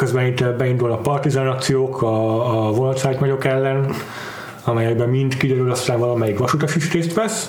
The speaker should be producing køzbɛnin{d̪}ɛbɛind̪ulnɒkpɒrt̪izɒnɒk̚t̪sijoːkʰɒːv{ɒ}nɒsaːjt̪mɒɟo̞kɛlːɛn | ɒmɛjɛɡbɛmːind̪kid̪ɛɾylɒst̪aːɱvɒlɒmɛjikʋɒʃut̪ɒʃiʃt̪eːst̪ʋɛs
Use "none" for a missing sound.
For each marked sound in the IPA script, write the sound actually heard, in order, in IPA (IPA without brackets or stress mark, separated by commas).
t̪, o